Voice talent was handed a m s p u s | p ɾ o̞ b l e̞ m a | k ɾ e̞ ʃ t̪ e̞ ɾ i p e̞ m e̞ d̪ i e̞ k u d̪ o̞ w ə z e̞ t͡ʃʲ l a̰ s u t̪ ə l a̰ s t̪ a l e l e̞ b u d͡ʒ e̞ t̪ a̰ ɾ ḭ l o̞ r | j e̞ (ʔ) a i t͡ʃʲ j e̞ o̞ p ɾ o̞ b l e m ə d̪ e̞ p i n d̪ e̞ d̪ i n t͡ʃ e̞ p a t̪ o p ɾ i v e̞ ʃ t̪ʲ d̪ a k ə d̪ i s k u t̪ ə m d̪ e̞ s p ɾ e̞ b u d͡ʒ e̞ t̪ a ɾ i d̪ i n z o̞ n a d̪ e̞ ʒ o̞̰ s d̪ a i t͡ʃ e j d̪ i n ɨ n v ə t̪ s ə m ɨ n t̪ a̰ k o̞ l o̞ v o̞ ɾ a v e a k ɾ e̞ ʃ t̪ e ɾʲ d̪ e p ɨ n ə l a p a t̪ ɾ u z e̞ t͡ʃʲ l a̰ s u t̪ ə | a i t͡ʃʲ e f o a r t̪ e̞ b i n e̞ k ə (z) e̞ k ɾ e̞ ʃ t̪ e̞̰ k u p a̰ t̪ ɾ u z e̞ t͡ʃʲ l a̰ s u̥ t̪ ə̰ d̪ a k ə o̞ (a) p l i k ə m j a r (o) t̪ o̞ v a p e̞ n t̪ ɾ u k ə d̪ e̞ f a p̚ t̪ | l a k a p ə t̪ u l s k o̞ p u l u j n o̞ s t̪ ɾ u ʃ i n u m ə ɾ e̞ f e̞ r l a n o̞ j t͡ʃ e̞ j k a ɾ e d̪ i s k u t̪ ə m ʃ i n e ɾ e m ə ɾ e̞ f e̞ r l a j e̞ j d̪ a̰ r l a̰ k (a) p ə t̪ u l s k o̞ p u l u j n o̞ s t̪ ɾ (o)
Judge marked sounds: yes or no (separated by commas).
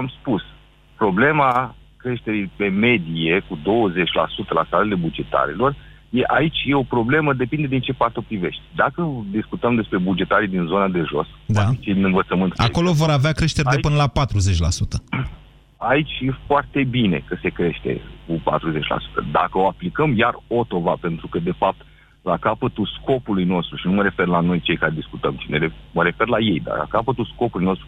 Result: yes, no, yes, yes, yes, no